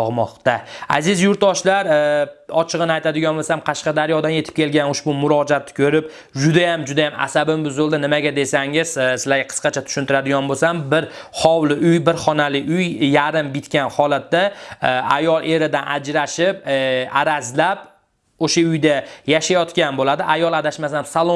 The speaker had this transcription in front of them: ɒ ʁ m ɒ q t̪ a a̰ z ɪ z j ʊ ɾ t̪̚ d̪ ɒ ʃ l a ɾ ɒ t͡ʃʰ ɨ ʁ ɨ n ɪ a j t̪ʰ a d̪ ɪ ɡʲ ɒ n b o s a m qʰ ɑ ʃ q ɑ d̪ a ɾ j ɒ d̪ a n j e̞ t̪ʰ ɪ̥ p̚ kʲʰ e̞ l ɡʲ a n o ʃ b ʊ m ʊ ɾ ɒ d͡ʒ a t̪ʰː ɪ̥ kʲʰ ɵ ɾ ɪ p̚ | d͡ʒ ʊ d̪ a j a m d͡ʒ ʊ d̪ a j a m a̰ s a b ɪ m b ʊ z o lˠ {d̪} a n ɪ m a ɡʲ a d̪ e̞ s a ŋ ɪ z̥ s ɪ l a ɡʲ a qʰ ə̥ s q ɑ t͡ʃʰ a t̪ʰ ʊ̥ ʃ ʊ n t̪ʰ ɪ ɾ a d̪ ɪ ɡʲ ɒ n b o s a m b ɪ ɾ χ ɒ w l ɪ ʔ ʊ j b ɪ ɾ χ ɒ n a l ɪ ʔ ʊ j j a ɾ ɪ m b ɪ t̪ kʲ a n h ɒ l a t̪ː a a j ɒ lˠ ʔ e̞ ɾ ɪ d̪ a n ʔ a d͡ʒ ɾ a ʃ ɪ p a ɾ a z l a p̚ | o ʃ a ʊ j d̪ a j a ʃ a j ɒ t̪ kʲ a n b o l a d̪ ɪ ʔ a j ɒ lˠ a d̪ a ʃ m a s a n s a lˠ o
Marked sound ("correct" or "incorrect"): correct